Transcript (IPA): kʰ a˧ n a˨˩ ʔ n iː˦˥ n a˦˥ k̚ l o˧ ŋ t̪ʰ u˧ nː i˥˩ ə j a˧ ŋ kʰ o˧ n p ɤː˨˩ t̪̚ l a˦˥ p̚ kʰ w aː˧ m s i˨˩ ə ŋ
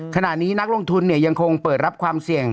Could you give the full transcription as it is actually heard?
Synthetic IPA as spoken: kʰ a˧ n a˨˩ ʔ n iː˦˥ n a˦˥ k̚ l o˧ ŋ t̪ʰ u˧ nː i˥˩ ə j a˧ ŋ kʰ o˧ ŋ p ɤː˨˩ t̪̚ ɾ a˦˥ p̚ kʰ w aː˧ m s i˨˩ ə ŋ